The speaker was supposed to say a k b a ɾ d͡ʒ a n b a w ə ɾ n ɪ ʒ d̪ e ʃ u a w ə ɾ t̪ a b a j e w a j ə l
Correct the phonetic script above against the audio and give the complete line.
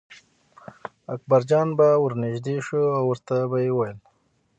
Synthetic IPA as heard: a k b a ɾ d͡ʒ ɑ n b a w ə ɾ n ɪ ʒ d̪ e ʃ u a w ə ɾ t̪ a b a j e w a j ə l